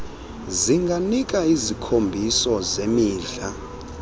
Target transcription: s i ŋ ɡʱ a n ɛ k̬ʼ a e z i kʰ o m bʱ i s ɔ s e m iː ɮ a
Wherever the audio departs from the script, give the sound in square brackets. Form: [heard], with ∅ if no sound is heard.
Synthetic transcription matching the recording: [z] i ŋ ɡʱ a n [i] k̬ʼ a [i] z i kʰ o m bʱ i s ɔ [z] e m iː ɮ a